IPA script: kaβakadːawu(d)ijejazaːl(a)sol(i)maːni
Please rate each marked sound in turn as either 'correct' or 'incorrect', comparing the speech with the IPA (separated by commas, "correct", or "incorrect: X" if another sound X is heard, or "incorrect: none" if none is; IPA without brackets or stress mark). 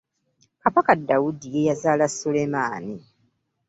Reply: correct, correct, incorrect: e